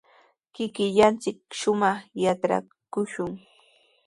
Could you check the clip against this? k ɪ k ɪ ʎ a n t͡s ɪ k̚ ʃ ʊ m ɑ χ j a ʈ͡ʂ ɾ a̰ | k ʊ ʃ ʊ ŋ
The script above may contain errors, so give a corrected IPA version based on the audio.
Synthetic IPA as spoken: k ɪ k ɪ ʎ a n t͡s ɪ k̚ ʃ ʊ m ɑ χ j a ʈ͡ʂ ɾ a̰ | k ʊ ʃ ʊ ŋ